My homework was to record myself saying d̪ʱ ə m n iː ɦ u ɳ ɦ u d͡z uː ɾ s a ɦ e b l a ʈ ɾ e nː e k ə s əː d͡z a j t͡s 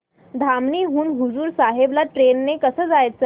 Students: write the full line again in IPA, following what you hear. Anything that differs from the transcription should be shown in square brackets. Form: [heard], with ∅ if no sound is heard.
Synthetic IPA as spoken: d̪ʱ [a] m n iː ɦ [uː] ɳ ɦ u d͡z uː ɾ s a ɦ e b l a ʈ ɾ e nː e k ə s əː d͡z a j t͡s